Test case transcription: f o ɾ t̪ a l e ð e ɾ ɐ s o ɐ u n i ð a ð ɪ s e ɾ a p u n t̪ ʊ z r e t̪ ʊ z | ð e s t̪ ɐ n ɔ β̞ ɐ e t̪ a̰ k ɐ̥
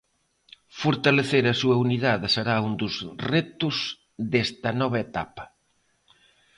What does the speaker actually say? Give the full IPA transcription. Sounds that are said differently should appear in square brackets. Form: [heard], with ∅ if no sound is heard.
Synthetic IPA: f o ɾ t̪ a l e [θ] e ɾ ɐ s [u] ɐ u n i ð a ð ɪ s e ɾ a [∅] u n [d̪] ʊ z r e t̪ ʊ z | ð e s t̪ ɐ n ɔ β̞ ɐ e t̪ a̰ [p] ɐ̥